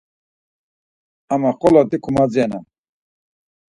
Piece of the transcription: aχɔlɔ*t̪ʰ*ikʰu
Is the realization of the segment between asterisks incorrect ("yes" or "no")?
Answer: yes